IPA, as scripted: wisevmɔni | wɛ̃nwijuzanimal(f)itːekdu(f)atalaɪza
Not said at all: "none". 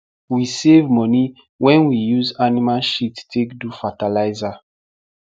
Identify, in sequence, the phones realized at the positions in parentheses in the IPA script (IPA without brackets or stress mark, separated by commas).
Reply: ʃ, f